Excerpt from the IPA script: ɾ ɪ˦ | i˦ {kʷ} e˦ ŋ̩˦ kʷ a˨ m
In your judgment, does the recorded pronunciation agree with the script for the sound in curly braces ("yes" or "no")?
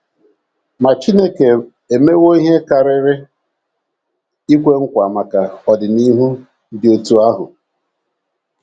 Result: yes